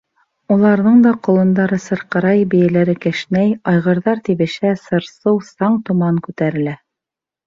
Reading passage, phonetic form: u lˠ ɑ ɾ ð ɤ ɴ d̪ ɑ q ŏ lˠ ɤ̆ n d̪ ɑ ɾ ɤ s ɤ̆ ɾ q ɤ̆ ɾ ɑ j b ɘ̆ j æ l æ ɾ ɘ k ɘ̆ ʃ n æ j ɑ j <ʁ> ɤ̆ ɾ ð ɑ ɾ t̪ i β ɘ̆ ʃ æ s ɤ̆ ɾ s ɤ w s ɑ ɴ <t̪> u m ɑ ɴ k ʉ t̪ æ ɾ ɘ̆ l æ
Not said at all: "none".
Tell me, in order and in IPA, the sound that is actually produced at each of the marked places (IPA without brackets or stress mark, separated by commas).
ʁ, t̪